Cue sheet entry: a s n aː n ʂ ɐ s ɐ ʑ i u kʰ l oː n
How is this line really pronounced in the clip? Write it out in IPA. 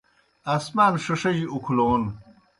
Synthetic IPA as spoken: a s m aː n ʂ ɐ ʂ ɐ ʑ i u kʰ l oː n